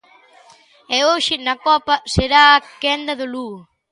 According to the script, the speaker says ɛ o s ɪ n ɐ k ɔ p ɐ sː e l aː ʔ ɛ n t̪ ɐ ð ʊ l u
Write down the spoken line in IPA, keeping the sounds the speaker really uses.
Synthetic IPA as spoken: ɛ o ʃ ɪ n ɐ k ɔ p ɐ s e ɾ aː k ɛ n d̪ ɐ ð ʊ l u